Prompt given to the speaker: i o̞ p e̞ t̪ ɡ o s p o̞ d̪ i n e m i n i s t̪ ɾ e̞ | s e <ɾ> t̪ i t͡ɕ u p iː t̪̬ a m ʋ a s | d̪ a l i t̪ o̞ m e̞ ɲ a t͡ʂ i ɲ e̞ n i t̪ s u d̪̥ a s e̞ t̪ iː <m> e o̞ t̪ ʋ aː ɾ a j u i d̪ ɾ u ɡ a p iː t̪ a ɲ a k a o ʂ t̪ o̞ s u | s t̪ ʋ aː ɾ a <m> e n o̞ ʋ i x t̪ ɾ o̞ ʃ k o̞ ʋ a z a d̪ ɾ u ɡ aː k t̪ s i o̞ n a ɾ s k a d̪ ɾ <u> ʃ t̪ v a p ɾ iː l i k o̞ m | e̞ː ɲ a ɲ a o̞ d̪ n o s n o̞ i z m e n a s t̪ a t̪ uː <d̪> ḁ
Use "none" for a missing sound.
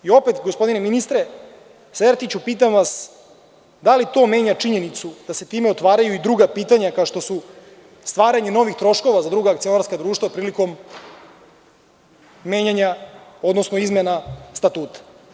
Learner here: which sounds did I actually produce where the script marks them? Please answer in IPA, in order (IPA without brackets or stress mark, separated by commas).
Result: ɾ, m, ɲ, uː, t̪